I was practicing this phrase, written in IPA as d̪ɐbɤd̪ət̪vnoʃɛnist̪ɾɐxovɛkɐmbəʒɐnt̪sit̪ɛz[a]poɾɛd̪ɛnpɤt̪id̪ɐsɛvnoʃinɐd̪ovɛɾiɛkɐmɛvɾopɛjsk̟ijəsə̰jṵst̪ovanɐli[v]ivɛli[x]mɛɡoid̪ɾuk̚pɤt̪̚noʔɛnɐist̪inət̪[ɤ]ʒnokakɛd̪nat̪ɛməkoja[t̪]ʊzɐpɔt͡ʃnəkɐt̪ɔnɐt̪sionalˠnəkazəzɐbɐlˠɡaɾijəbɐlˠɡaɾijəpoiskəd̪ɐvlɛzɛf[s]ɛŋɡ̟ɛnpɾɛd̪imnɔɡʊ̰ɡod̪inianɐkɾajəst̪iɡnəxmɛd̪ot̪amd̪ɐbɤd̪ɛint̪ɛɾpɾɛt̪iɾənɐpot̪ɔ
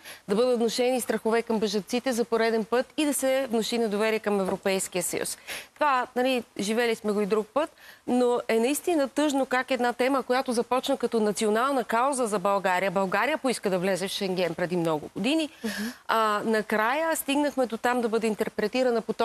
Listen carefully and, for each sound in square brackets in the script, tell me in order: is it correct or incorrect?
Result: incorrect: ɐ, incorrect: ʒ, incorrect: s, correct, correct, incorrect: ʃ

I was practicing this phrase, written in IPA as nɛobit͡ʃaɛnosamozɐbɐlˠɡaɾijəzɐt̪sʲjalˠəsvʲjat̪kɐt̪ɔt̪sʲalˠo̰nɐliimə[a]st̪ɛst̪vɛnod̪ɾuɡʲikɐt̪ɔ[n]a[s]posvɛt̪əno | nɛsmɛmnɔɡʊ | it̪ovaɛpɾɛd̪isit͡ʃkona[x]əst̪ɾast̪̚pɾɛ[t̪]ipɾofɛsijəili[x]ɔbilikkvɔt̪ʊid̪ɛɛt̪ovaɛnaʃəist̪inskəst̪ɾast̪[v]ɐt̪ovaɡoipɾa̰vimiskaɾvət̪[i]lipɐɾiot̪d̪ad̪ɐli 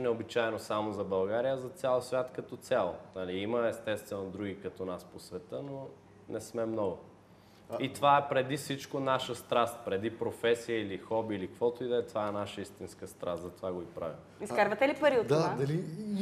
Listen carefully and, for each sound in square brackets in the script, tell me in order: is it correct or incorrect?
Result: incorrect: ɛ, correct, correct, incorrect: ʃ, incorrect: d̪, correct, incorrect: z, incorrect: ɛ

